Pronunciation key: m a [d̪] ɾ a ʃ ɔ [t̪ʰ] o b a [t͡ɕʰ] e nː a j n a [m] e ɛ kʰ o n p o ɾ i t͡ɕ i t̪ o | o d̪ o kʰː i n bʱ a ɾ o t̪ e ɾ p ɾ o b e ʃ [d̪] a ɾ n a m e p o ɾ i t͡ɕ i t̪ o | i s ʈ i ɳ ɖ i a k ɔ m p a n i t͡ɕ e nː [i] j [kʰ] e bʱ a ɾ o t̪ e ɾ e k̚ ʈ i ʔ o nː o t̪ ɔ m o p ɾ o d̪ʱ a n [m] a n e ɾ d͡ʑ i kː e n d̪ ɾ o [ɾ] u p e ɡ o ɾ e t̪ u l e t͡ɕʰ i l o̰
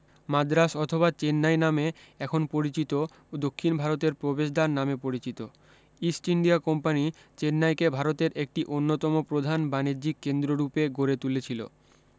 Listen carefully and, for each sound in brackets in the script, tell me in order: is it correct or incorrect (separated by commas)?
correct, correct, incorrect, correct, correct, incorrect, incorrect, incorrect, correct